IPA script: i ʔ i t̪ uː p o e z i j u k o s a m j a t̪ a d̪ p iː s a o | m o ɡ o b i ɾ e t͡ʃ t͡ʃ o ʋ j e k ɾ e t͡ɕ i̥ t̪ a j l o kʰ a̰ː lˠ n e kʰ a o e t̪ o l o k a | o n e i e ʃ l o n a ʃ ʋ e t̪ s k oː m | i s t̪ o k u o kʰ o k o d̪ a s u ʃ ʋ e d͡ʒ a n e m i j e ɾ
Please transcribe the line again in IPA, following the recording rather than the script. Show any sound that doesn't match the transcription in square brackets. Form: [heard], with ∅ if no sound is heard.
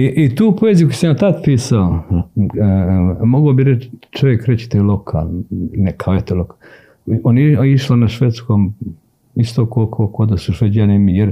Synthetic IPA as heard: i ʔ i t̪ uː p o e z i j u k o s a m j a t̪ a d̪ p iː s a o | m o ɡ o b i ɾ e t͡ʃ t͡ʃ o ʋ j e k ɾ e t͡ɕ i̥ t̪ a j l o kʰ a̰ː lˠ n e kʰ a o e t̪ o l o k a | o n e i [i] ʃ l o n a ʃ ʋ e t̪ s k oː m | i s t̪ o k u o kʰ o k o d̪ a s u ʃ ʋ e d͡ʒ a n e m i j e ɾ